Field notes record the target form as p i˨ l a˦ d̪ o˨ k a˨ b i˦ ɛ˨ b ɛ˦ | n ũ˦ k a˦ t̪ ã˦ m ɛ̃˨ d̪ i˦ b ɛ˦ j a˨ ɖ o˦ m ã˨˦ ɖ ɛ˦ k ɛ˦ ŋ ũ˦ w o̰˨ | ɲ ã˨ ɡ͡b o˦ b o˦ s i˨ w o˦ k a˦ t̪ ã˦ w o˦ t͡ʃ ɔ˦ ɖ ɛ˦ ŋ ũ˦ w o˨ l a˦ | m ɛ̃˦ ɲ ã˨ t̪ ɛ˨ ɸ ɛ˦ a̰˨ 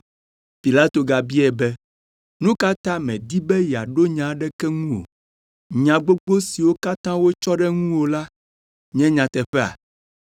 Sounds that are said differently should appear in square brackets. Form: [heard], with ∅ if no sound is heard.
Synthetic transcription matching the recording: p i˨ l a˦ [t̪] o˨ [ɡ] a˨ b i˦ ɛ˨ b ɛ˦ | n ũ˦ k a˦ t̪ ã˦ m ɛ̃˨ d̪ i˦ b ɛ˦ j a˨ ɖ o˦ [ɲ] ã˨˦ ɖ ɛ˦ k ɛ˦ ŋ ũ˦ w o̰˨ | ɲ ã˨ ɡ͡b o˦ [ɡ͡b] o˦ s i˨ w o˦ k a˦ t̪ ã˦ w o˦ t͡ʃ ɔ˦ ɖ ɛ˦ ŋ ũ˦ w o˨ l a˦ | [ɲ] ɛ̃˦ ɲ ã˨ t̪ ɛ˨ ɸ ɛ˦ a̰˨